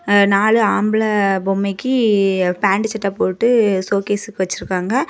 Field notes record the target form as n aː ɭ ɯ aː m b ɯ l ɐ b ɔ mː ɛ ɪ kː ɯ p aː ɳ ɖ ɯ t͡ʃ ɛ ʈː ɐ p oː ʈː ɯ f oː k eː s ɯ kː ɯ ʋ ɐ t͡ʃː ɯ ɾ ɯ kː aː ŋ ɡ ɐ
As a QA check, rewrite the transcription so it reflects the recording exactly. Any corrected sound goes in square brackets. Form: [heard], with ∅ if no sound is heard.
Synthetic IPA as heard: n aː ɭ ɯ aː m b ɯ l ɐ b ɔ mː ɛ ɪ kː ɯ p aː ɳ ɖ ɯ t͡ʃ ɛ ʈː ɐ p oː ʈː ɯ [s] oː k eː s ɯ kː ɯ ʋ ɐ t͡ʃː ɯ ɾ ɯ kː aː ŋ ɡ ɐ